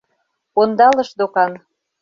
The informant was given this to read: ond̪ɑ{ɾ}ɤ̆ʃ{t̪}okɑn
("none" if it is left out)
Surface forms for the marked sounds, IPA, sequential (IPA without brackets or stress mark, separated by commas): l, d̪